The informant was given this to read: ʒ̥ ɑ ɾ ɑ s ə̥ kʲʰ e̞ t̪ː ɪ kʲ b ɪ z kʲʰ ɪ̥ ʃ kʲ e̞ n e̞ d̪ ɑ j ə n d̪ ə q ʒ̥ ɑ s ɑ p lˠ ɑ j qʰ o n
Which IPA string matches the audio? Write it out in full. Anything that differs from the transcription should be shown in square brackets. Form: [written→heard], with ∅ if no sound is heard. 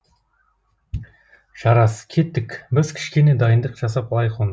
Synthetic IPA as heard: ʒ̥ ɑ ɾ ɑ s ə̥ kʲʰ e̞ t̪ː ɪ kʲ b ɪ z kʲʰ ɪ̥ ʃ kʲ e̞ n e̞ d̪ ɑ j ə n d̪ ə q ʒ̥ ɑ s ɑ p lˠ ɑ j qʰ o n